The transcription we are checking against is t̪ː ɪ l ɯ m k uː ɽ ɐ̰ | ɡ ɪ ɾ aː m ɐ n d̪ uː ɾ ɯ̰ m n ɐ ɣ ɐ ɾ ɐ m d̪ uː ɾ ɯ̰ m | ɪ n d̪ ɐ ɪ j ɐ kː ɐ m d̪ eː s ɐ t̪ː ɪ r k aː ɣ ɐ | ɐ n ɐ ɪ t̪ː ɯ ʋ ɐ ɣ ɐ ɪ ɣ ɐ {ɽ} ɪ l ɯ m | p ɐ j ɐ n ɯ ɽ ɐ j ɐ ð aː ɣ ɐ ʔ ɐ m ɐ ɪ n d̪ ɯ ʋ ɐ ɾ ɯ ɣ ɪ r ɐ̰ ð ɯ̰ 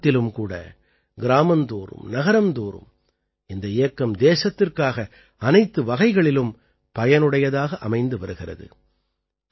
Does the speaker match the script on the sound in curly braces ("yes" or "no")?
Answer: no